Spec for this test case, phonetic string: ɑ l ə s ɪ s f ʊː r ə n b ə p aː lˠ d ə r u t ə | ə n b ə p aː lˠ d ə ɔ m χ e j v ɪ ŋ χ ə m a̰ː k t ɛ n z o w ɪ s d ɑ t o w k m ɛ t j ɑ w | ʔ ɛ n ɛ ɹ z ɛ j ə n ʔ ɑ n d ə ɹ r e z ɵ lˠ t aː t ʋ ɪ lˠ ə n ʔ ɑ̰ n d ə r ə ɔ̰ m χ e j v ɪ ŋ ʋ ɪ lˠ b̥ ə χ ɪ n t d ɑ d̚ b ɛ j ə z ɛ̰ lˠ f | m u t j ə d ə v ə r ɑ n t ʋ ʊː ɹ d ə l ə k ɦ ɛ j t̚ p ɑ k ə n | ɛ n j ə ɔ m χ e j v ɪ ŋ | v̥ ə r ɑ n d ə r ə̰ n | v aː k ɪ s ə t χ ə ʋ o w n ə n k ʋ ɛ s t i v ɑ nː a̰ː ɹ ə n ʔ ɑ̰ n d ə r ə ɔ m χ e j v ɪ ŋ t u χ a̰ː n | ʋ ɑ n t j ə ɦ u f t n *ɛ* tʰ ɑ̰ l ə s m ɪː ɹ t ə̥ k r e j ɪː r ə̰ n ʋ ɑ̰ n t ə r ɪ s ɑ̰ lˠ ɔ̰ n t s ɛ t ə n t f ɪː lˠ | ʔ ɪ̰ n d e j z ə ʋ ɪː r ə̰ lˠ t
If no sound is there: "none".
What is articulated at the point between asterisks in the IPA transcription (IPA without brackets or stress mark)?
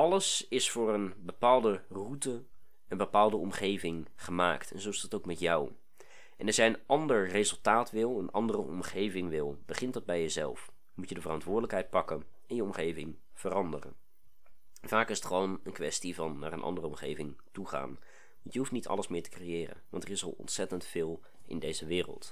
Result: i